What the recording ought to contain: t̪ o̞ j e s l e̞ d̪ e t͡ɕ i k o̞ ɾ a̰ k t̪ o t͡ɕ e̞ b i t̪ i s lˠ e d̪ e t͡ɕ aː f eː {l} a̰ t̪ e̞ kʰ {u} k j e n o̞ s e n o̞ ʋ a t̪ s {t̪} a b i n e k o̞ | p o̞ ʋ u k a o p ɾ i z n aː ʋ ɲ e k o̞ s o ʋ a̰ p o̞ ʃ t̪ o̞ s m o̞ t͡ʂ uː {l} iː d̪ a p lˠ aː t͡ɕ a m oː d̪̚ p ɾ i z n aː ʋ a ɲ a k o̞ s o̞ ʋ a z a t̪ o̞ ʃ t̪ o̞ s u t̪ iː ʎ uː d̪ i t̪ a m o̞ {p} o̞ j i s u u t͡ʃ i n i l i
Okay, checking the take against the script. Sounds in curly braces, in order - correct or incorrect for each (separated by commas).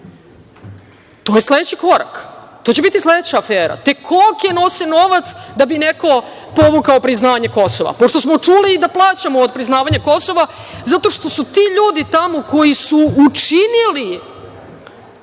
incorrect, incorrect, incorrect, correct, incorrect